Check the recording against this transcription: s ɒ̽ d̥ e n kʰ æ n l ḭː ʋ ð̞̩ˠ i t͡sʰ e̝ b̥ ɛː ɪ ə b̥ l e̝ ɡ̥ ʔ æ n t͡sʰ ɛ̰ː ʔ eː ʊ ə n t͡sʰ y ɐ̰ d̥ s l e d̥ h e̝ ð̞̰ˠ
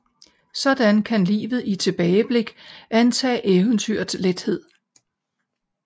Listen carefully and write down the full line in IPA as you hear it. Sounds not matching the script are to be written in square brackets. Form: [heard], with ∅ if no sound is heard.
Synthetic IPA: s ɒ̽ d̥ [æ] n kʰ æ n l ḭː ʋ ð̞̩ˠ i t͡sʰ e̝ b̥ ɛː ɪ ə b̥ l e̝ ɡ̥ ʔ æ n t͡sʰ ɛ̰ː ʔ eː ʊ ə n t͡sʰ y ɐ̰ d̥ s l e d̥ h e̝ ð̞̰ˠ